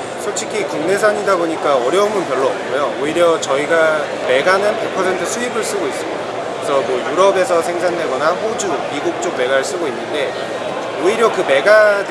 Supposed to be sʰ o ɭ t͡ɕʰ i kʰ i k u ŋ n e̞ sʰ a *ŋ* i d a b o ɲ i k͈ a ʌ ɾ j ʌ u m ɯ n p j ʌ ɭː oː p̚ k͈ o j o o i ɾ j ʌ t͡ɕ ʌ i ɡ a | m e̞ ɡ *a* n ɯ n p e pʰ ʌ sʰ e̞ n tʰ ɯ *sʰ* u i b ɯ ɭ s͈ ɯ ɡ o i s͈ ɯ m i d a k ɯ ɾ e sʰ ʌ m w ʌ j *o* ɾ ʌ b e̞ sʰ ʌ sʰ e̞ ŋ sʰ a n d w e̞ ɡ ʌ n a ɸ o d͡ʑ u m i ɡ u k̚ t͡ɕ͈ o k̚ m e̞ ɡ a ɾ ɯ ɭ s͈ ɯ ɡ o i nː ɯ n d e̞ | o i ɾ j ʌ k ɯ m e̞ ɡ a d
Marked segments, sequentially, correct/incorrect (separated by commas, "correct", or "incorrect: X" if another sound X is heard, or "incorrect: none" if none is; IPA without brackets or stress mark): incorrect: ɲ, correct, correct, incorrect: u